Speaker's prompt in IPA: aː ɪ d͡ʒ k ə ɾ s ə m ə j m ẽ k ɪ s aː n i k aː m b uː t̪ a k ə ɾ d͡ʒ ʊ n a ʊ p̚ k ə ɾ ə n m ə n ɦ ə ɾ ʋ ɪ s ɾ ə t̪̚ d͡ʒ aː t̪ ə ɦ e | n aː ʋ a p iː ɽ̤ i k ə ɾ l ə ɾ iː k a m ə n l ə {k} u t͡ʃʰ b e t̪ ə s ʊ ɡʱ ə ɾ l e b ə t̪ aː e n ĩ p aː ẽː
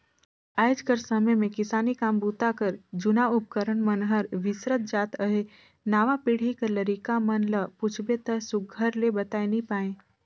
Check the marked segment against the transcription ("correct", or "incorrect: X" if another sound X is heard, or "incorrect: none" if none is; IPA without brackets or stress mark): incorrect: p